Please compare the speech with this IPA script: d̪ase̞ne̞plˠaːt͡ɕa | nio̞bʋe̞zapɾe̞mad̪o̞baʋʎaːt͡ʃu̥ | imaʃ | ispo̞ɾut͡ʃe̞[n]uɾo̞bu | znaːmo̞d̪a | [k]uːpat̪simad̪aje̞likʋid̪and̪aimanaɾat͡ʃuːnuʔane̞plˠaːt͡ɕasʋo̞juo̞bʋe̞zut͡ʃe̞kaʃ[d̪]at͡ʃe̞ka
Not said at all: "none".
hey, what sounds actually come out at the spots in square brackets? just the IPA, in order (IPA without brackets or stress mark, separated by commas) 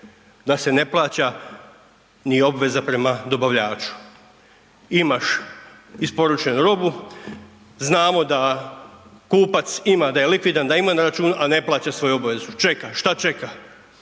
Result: n, k, t̪